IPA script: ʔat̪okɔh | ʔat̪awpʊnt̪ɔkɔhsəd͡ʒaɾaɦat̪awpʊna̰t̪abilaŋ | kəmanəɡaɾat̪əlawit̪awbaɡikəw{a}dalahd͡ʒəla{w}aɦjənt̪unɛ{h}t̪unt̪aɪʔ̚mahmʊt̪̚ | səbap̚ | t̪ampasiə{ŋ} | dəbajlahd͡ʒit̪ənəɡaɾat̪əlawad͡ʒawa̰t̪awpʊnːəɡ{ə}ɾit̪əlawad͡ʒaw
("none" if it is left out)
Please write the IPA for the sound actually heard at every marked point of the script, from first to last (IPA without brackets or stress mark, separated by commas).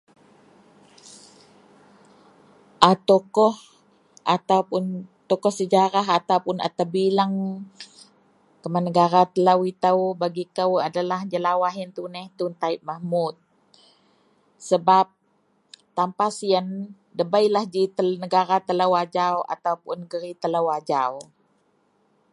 a, w, h, n, ə